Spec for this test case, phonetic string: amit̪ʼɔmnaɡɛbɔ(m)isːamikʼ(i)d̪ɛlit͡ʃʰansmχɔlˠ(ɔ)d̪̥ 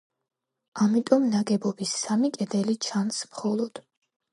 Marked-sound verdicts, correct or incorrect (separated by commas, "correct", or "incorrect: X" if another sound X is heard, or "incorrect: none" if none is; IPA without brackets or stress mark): incorrect: b, incorrect: ɛ, correct